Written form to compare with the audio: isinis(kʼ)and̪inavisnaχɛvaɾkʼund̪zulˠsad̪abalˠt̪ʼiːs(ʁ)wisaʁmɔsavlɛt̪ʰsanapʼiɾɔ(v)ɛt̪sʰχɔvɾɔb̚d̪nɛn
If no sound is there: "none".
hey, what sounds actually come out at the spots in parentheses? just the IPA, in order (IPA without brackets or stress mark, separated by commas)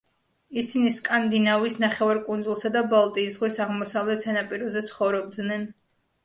kʼ, ʁ, z